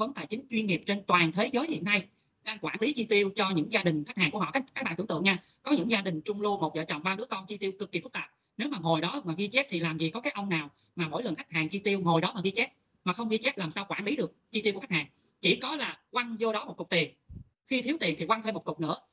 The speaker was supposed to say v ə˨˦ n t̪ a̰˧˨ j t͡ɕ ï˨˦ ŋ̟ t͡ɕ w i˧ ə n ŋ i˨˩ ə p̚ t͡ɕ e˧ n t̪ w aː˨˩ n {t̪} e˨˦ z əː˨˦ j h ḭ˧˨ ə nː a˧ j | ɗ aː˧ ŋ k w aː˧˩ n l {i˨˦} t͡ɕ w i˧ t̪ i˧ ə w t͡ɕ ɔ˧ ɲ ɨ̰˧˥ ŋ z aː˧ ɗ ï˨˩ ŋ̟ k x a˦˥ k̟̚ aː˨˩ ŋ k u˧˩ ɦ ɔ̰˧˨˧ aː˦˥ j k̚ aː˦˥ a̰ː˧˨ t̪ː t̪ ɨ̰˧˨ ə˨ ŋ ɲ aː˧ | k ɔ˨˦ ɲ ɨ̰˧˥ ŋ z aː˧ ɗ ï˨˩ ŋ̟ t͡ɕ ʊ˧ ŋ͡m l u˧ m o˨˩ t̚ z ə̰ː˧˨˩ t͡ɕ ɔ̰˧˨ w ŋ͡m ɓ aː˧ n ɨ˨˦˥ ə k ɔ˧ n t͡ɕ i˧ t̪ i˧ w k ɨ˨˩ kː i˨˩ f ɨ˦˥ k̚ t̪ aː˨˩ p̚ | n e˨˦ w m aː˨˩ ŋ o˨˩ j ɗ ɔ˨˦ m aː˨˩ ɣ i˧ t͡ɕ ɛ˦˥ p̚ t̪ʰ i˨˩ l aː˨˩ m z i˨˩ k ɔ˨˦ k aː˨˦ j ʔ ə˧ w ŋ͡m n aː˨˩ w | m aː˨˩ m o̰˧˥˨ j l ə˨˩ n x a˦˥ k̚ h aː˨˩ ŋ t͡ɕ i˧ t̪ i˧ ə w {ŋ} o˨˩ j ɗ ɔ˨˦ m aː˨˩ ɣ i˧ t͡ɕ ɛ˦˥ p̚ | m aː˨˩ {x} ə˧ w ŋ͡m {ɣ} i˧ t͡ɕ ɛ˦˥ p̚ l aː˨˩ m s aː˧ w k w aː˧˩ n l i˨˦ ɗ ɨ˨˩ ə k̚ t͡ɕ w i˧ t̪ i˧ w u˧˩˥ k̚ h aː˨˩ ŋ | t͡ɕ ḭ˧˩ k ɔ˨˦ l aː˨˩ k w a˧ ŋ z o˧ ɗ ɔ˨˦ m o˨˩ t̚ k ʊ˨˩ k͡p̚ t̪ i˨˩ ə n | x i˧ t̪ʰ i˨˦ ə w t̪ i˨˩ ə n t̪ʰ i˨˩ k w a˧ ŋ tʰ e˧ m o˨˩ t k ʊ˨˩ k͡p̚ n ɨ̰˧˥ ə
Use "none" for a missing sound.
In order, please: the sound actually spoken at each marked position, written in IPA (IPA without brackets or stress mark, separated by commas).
t̪ʰ, i˨˦, ŋ, x, ɣ